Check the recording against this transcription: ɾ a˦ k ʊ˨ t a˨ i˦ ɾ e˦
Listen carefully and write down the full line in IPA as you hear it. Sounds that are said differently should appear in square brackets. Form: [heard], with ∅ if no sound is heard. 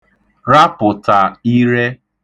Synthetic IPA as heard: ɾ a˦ [p] ʊ˨ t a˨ i˦ ɾ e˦